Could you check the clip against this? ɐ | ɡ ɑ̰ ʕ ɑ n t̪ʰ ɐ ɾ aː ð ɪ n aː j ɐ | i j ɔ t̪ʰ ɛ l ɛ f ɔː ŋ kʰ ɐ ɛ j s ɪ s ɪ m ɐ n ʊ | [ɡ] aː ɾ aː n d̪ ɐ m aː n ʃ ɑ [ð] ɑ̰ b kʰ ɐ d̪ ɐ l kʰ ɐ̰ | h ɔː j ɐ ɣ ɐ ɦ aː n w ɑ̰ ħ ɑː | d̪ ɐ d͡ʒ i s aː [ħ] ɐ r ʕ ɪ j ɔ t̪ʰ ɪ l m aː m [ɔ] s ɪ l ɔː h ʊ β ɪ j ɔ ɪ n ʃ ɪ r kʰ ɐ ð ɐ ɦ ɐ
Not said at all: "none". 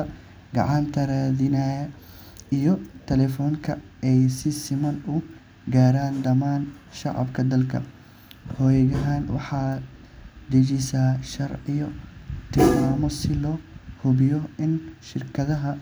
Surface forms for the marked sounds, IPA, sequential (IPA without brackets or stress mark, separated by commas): ɡ, ʕ, ʃ, ɔ